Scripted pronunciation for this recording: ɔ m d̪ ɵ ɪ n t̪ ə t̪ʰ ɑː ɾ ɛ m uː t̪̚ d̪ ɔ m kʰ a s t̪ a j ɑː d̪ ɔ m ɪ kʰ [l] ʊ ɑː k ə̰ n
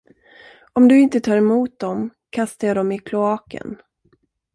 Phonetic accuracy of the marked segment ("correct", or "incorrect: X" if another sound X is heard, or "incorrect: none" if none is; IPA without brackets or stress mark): correct